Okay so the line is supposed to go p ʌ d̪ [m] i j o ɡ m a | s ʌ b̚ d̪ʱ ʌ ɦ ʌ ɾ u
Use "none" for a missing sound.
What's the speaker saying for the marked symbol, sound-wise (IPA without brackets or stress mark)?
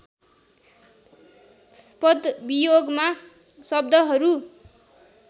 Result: b